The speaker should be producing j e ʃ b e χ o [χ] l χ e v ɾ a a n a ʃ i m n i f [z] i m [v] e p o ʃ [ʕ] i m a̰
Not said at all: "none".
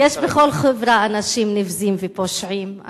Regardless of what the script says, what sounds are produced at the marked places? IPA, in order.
none, z, v, ʕ

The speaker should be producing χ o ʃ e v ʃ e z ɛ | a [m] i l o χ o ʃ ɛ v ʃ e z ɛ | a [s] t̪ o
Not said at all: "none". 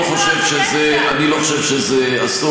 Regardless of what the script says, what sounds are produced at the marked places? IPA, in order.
n, s

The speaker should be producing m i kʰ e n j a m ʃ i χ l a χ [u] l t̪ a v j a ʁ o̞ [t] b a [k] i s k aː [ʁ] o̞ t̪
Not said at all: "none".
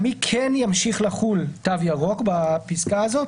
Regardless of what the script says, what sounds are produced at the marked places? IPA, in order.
u, k, p, z

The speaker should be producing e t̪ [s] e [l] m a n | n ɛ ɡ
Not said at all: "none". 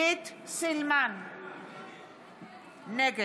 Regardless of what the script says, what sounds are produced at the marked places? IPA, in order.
s, l

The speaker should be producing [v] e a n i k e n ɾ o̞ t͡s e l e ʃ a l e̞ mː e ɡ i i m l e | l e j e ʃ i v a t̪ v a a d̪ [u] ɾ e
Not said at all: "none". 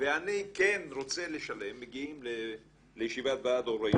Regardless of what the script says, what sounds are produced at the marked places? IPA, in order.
v, o

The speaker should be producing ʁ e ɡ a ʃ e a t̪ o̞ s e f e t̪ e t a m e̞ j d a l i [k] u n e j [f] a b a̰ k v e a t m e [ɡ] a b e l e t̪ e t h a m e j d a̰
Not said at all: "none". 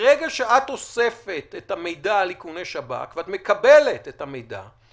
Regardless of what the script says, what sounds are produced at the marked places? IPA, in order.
k, ʃ, k

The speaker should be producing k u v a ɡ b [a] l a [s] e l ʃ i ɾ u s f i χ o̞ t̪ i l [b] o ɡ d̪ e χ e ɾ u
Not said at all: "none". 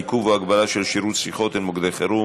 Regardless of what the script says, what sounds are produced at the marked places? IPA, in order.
a, ʃ, m

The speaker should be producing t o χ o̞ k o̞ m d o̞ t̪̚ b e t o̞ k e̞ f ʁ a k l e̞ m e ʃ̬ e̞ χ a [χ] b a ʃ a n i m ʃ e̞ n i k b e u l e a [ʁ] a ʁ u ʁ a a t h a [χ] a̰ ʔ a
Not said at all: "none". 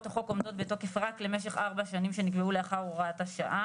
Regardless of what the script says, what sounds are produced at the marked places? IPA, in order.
ʁ, χ, ʃ

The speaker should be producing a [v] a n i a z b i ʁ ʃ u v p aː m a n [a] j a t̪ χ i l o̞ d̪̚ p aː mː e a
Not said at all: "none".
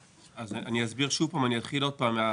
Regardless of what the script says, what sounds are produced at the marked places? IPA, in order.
z, i

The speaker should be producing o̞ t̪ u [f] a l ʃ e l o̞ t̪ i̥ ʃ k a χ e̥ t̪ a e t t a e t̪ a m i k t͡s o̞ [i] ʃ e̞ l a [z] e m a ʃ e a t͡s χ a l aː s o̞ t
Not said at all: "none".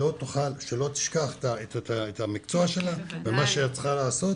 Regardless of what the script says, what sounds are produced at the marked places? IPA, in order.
χ, a, v

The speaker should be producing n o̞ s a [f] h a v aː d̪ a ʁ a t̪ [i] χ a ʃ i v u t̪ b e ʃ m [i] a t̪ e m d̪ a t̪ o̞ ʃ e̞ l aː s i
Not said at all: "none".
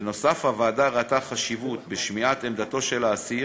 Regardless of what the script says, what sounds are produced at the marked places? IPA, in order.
f, a, i

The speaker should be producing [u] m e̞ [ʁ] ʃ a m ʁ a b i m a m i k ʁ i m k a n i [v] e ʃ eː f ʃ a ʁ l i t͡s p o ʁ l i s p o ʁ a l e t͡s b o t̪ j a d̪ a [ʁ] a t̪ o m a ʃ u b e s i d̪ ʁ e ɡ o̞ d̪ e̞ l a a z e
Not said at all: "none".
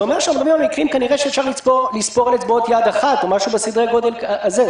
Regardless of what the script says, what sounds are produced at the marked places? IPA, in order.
o, ʁ, ʁ, χ

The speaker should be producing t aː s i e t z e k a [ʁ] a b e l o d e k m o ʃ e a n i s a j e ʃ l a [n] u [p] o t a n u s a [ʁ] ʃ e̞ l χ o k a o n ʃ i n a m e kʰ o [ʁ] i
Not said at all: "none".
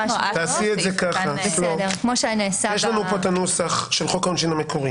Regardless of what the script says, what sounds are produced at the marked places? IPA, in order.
χ, n, p, χ, ʁ

